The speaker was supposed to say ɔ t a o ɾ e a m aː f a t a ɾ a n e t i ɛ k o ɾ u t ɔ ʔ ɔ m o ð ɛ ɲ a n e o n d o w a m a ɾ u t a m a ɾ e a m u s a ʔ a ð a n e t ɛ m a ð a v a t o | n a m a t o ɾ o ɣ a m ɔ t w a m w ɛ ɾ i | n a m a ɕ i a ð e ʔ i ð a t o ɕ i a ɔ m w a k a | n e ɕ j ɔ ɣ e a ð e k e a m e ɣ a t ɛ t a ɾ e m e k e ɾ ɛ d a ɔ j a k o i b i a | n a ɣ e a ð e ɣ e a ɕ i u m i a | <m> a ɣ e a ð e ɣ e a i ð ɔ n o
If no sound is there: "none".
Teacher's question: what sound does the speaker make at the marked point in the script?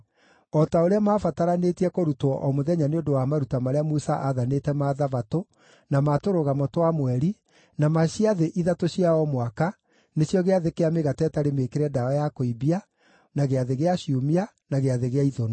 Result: n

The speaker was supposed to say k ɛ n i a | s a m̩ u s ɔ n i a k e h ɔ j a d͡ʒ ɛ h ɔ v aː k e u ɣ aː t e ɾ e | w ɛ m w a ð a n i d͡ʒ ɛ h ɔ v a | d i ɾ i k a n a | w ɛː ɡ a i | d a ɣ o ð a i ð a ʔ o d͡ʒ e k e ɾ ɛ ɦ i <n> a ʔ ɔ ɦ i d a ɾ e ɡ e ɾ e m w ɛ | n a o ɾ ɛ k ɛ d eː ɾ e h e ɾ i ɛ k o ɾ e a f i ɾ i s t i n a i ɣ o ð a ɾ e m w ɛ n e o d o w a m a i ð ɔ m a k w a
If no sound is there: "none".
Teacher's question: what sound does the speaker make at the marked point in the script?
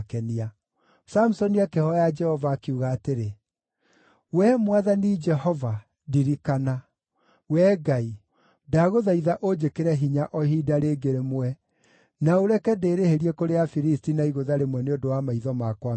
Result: ɲ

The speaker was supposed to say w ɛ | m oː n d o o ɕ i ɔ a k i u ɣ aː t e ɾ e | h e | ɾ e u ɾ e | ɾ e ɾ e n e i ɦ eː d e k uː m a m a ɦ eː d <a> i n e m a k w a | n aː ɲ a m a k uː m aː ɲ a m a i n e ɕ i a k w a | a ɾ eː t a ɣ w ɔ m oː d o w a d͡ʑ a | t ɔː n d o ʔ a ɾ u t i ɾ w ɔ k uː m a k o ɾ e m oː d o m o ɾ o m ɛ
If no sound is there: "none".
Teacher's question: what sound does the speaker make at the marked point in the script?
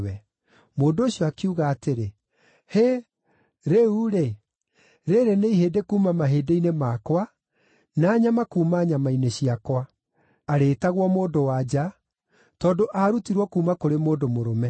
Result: e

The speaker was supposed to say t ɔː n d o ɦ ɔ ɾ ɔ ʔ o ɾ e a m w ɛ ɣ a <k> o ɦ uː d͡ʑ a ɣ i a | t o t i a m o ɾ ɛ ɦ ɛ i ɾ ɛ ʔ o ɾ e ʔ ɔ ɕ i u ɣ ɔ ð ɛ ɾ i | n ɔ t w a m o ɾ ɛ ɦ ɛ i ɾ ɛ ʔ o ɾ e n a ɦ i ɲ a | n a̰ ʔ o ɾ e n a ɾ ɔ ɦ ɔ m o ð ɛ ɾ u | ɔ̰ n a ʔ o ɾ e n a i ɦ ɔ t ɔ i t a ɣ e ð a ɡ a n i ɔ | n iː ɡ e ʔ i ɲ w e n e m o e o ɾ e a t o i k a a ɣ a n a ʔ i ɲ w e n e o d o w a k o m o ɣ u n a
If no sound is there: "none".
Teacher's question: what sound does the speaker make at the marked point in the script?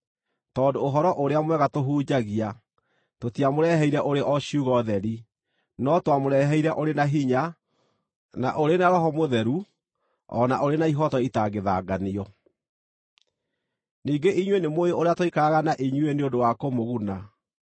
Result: t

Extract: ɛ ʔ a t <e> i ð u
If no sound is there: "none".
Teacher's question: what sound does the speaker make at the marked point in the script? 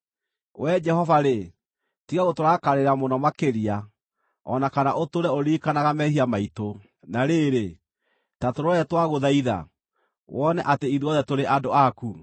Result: e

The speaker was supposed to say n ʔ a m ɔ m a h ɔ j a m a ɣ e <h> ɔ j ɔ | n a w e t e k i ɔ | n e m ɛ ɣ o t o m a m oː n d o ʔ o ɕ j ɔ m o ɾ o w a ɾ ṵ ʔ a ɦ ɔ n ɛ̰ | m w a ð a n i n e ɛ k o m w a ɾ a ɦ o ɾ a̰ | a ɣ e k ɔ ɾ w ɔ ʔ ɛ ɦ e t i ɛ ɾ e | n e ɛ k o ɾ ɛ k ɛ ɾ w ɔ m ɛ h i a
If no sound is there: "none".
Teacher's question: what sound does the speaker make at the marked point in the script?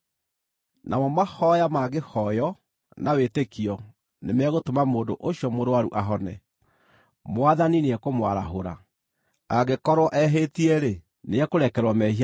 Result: h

